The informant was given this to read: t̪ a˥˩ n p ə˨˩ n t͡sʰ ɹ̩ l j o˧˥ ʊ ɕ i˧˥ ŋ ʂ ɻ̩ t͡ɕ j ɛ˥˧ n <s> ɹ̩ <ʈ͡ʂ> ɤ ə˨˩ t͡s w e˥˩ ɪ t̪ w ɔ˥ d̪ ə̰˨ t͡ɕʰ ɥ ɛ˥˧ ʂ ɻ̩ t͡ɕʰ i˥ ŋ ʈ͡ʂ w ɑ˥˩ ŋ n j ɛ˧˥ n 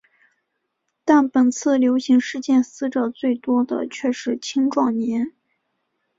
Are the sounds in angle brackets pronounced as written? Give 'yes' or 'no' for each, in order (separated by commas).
yes, yes